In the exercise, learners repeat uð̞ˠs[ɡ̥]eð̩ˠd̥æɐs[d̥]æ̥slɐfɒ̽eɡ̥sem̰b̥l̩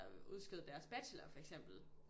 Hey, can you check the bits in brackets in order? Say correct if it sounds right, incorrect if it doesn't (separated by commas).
correct, incorrect